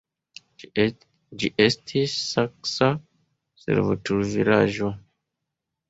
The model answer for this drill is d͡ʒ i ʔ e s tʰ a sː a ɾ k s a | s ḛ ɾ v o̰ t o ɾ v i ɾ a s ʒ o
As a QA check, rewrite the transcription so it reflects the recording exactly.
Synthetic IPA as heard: d͡ʒ i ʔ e s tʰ i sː a k s a | s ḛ ɾ v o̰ t u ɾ v i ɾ a ʒ o